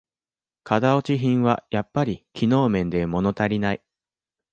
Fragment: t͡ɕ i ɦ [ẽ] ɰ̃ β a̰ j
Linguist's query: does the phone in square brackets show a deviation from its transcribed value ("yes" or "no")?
yes